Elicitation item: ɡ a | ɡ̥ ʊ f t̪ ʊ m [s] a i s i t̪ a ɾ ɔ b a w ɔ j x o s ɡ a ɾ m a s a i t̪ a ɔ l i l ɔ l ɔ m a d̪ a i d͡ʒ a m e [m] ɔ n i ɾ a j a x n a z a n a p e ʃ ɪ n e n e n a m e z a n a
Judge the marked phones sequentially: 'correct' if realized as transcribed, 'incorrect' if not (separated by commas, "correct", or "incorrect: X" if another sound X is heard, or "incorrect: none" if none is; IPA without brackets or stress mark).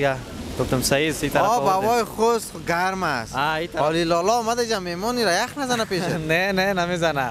correct, correct